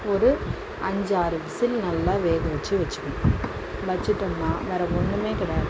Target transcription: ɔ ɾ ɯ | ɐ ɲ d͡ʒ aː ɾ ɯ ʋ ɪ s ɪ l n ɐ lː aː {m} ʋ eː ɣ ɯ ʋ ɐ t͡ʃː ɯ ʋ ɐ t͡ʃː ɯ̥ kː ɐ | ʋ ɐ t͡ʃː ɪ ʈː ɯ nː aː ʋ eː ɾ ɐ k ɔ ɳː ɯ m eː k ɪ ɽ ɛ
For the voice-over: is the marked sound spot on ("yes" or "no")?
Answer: no